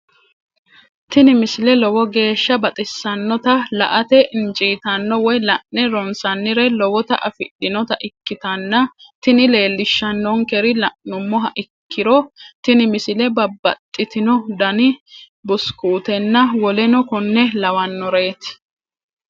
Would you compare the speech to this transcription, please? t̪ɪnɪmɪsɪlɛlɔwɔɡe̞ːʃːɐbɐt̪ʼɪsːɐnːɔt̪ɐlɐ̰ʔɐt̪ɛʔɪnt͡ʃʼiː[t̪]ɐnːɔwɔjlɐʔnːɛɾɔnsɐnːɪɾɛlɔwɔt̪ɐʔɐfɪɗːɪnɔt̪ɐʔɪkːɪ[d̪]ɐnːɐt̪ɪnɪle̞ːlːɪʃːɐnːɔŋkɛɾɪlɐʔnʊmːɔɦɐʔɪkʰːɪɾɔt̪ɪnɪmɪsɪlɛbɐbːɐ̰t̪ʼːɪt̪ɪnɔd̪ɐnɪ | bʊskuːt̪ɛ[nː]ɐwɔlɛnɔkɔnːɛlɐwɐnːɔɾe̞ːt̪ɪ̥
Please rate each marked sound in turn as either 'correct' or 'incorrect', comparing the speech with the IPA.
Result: correct, incorrect, correct

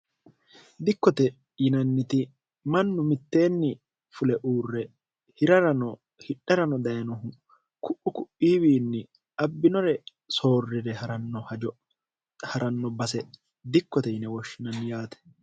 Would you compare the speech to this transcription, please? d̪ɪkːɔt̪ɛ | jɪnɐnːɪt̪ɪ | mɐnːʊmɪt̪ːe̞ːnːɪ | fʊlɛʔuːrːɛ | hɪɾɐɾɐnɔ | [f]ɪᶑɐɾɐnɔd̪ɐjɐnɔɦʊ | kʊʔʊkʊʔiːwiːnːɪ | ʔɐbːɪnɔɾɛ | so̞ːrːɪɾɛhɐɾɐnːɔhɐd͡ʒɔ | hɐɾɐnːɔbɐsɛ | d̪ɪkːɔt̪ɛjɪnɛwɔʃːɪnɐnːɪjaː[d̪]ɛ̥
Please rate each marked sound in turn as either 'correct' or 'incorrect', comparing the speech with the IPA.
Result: incorrect, incorrect

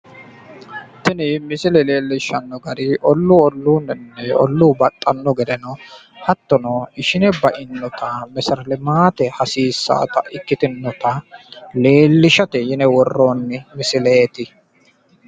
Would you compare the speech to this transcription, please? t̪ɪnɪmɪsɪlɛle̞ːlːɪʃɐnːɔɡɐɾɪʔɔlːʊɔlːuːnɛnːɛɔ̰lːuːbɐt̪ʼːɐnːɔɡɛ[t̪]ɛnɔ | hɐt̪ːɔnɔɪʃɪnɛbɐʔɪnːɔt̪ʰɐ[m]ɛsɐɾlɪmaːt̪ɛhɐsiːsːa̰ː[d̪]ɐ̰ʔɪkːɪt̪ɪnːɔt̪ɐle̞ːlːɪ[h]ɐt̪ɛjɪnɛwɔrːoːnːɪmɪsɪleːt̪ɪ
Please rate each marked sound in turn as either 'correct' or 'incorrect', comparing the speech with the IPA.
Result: incorrect, correct, incorrect, incorrect

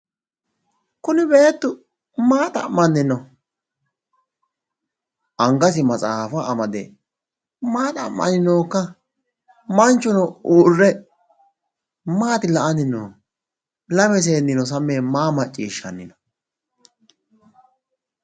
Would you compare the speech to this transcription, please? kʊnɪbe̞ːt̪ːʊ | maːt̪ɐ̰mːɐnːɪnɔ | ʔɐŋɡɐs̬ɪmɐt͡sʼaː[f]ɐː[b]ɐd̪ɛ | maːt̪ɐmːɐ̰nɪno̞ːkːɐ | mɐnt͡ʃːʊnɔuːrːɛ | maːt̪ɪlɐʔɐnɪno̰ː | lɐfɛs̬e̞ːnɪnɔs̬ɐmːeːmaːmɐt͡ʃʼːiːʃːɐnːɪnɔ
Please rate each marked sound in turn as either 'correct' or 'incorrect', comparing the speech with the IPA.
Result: correct, incorrect

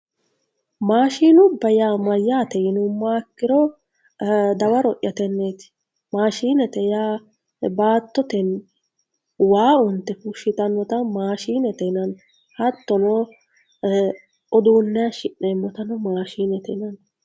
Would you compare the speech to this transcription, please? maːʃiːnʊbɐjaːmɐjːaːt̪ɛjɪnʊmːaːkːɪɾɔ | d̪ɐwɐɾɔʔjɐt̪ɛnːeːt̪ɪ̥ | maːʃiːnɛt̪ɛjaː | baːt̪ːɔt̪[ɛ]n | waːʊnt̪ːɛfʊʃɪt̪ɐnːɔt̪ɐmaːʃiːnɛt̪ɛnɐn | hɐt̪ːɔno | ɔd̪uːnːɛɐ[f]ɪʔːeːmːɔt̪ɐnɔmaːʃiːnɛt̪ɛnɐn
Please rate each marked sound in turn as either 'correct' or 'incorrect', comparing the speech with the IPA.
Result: correct, incorrect

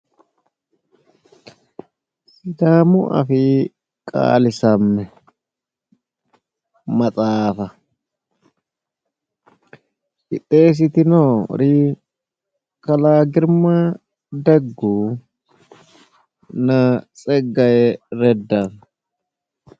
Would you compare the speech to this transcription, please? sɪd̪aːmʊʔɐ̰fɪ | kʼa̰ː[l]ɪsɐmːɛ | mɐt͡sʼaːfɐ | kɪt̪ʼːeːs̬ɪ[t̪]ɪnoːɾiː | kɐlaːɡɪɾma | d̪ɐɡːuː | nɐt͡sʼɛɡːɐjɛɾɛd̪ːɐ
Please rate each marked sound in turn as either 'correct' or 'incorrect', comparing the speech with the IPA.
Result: correct, correct

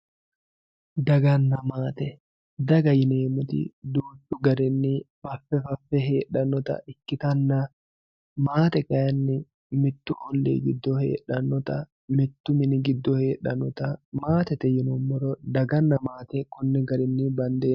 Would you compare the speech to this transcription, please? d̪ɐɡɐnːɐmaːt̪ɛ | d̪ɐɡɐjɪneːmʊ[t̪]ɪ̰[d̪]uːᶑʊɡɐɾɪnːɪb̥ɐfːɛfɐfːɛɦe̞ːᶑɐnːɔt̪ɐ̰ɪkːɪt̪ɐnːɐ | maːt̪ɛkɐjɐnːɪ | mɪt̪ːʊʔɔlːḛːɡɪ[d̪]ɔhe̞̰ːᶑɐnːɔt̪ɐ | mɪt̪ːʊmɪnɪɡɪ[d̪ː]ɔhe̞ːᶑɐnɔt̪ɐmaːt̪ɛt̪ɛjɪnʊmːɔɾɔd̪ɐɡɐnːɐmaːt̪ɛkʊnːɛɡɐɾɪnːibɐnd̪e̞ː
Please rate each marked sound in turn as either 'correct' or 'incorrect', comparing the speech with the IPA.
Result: correct, correct, incorrect, correct

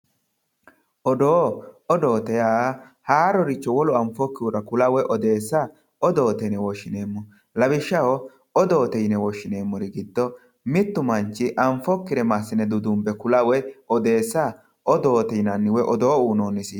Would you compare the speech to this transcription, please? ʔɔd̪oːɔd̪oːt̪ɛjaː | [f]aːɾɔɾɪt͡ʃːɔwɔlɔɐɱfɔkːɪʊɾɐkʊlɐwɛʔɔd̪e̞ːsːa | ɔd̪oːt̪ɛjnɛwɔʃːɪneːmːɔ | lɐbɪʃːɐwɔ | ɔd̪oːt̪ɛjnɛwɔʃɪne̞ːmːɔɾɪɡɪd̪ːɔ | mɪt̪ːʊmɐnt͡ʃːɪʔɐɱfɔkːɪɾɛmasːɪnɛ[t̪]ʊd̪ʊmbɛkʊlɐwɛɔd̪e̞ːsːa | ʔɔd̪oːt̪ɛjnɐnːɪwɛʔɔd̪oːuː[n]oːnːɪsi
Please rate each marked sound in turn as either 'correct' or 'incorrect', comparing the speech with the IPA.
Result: incorrect, incorrect, correct

